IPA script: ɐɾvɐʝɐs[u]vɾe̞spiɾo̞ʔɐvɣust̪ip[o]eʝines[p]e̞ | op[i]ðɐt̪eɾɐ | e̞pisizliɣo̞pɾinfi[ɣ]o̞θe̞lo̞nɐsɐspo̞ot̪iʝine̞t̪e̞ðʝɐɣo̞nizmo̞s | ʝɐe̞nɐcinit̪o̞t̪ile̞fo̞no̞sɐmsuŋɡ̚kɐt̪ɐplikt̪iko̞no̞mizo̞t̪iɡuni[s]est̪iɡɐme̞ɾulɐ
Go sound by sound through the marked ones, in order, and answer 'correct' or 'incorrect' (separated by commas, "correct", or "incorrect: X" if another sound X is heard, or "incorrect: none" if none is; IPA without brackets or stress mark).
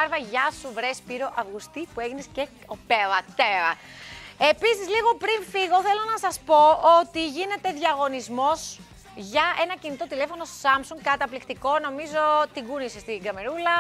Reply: correct, incorrect: u, incorrect: c, incorrect: e, correct, correct